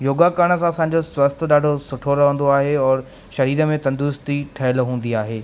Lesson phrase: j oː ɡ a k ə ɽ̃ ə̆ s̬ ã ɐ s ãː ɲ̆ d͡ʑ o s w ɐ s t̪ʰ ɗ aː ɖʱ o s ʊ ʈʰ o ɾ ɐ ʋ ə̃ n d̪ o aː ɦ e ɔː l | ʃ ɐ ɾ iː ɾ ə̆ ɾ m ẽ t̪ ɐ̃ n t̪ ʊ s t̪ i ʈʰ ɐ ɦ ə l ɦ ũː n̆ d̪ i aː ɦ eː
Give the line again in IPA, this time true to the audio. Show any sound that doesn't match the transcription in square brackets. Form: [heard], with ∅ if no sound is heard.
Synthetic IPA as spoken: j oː ɡ a k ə ɽ̃ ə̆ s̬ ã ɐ s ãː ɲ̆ d͡ʑ o s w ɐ s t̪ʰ ɗ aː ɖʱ o s ʊ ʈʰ o ɾ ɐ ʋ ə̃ n d̪ o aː ɦ e ɔː [ɾ] | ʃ ɐ ɾ iː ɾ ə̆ [∅] m ẽ t̪ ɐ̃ n [d̪] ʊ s t̪ i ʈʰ ɐ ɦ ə l ɦ ũː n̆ d̪ i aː ɦ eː